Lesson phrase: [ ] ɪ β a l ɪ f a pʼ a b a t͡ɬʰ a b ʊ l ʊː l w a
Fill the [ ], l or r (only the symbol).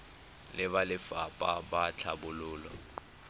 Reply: l